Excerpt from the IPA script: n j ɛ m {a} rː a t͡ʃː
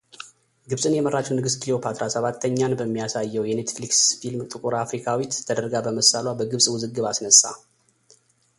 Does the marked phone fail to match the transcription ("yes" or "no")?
yes